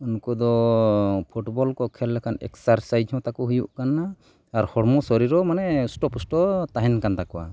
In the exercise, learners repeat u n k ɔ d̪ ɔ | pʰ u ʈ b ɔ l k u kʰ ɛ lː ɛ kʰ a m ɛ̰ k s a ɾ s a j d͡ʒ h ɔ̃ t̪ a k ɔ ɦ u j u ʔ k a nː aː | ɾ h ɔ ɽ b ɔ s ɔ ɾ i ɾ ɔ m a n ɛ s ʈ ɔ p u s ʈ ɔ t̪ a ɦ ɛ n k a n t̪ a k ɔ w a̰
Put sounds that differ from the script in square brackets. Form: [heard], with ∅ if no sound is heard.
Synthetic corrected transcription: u n k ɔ d̪ ɔ | pʰ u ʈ b ɔ l k [ɔ] kʰ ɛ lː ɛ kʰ a [n] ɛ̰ k s a ɾ s a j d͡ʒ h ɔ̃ t̪ a k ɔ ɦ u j u ʔ k a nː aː | ɾ h ɔ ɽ [m] ɔ s ɔ ɾ i ɾ ɔ m a n ɛ s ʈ ɔ p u s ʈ ɔ t̪ a ɦ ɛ n k a n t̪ a k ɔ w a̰